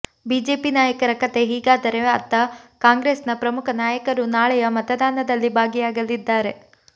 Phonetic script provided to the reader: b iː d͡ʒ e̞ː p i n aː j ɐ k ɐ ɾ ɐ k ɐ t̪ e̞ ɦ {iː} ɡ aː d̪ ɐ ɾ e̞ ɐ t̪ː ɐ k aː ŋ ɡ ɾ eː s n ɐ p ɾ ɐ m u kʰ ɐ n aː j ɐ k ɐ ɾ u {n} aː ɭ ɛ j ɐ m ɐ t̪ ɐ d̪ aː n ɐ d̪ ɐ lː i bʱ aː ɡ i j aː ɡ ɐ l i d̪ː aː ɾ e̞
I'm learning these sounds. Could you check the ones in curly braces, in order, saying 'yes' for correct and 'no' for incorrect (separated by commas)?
yes, yes